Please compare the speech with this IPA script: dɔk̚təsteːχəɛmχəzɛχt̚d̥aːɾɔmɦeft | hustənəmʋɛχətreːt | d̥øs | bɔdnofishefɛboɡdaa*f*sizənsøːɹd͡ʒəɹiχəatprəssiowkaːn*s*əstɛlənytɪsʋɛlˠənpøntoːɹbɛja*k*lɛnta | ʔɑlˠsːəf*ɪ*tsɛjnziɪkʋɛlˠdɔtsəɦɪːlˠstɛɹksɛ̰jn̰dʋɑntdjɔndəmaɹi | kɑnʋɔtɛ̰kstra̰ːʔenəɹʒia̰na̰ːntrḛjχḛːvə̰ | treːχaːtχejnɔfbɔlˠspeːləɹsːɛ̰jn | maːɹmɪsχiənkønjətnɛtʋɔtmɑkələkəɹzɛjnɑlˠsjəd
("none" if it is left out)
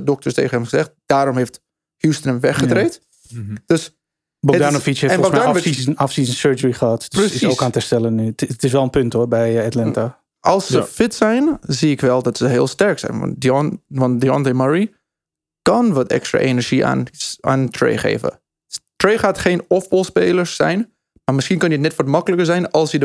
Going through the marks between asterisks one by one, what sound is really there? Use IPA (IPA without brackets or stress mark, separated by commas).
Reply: f, t, t, ɪ